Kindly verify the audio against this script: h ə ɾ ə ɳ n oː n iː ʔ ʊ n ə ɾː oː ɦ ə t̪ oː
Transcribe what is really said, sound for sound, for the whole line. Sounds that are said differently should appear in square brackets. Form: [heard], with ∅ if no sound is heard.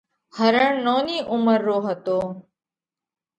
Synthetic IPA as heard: h ə ɾ ə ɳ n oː n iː ʔ ʊ [m] ə ɾː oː ɦ ə t̪ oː